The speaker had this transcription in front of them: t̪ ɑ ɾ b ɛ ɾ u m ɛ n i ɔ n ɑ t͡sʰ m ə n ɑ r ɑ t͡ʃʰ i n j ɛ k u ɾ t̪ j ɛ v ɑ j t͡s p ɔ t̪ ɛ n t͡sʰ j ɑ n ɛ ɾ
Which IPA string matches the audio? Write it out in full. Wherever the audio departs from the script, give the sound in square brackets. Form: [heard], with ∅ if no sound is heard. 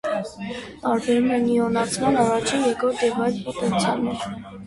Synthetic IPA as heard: t̪ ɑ ɾ b ɛ ɾ u m ɛ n i ɔ n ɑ t͡sʰ m [ɑ] n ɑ r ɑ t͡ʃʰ i n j ɛ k [ɔ] ɾ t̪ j ɛ v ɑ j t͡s p ɔ t̪ ɛ n t͡sʰ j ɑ n ɛ ɾ